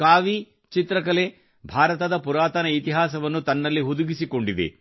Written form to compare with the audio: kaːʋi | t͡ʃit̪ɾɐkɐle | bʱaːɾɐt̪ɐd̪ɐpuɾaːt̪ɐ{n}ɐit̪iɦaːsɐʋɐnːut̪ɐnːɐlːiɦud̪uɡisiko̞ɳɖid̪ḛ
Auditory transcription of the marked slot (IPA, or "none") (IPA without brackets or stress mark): n